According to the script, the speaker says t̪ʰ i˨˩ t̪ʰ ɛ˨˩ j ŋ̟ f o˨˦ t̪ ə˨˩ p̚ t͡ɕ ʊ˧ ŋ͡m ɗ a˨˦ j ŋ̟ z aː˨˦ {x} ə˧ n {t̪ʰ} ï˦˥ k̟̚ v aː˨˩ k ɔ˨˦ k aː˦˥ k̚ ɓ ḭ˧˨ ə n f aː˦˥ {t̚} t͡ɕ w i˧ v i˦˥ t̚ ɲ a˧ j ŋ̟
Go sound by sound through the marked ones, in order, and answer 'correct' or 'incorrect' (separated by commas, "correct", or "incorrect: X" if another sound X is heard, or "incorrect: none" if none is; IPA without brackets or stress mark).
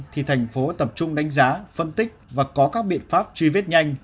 incorrect: f, incorrect: t̪, incorrect: p̚